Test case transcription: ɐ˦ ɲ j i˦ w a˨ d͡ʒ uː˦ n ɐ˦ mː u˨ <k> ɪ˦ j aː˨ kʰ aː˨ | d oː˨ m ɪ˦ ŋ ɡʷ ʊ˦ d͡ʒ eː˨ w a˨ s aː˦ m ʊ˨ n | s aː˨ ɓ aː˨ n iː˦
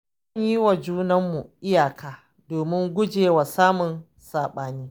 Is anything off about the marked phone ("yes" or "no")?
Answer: yes